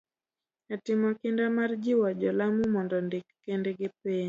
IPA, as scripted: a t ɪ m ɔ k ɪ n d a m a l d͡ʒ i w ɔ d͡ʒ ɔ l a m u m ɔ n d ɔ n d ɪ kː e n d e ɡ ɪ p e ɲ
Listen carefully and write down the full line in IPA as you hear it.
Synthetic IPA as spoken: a t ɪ m ɔ k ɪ n d a m a r d͡ʒ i w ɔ d͡ʒ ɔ l a m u m ɔ n d ɔ n d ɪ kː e n d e ɡ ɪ p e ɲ

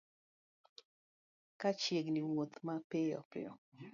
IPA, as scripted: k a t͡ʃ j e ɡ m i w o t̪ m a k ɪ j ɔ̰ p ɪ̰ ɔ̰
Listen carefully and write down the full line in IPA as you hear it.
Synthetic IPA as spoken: k a t͡ʃ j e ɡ n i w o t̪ m a p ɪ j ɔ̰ p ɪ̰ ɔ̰

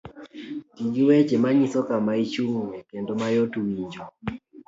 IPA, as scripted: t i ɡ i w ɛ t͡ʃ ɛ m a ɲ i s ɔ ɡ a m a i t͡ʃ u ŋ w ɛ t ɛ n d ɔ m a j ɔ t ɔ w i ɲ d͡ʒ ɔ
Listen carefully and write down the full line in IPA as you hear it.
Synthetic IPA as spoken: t i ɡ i w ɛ t͡ʃ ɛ m a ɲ i s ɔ k a m a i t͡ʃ u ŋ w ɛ k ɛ n d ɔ m a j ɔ t u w i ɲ d͡ʒ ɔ

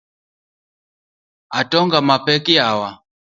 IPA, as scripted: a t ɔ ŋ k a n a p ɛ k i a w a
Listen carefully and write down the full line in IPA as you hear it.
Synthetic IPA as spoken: a t ɔ ŋ ɡ a m a p ɛ k i a w a

